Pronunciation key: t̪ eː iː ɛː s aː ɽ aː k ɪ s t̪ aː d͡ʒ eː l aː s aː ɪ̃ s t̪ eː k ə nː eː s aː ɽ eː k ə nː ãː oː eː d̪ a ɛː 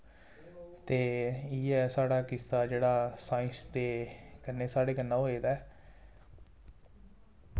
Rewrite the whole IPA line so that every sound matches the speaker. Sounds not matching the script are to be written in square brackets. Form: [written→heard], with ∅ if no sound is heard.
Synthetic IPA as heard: t̪ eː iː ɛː s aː ɽ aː k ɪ s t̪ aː d͡ʒ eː [l→ɽ] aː s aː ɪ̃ s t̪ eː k ə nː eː s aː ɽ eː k ə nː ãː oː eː d̪ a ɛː